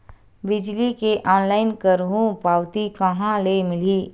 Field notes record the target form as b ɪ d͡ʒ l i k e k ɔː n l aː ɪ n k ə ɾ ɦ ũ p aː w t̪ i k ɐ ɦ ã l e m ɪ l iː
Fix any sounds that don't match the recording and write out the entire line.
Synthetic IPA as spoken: b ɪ d͡ʒ l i k e ʔ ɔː n l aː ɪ n k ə ɾ ɦ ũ p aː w t̪ i k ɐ ɦ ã l e m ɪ l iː

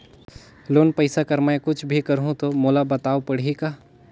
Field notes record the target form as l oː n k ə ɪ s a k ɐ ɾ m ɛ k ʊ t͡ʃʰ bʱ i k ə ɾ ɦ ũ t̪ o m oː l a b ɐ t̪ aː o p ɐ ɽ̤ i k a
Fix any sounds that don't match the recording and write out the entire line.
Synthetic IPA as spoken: l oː n p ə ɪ s a k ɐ ɾ m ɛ k ʊ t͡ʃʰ bʱ i k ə ɾ ɦ ũ t̪ o m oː l a b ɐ t̪ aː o p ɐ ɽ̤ i k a

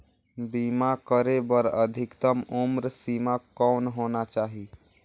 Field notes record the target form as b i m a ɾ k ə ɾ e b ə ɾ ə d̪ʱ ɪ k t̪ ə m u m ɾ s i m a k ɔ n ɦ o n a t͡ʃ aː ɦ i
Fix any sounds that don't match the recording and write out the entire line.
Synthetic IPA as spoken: b i m a k ə ɾ e b ə ɾ ə d̪ʱ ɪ k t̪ ə m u m ɾ s i m a k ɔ n ɦ o n a t͡ʃ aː ɦ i

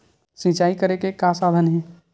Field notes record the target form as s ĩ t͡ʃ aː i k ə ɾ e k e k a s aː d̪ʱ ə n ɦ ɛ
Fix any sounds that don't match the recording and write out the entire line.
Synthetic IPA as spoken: s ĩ t͡ʃ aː i k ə ɾ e k e k a s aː d̪ʱ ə n ɦ ɛ

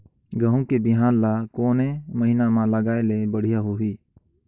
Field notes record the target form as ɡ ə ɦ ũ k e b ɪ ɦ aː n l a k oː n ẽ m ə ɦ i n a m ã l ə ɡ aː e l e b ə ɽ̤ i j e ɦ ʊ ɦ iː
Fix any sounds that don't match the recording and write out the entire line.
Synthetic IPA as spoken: ɡ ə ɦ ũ k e b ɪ ɦ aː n l a k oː n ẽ m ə ɦ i n a m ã l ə ɡ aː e l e b ə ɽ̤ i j a ɦ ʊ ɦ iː

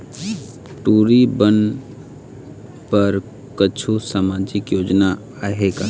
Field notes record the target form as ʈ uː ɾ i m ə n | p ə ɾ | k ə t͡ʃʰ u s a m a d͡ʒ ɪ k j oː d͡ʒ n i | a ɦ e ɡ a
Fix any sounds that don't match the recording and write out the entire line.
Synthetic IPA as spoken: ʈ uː ɾ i b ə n | p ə ɾ | k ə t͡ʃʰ u s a m a d͡ʒ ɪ k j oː d͡ʒ n a | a ɦ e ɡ a

